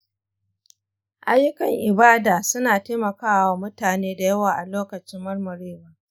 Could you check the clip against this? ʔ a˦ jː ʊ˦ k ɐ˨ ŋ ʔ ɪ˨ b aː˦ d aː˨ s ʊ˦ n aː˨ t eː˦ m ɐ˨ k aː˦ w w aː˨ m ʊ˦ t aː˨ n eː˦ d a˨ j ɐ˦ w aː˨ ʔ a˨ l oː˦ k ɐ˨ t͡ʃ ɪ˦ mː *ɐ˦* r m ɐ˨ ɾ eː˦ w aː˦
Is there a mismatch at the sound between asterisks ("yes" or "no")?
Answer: no